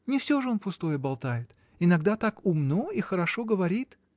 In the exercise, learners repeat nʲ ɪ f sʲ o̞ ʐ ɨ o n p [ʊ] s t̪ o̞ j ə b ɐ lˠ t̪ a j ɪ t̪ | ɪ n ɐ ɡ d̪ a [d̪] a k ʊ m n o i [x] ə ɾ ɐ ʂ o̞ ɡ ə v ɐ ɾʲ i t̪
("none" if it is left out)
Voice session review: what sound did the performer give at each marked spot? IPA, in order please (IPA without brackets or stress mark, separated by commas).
ʊ, t̪, x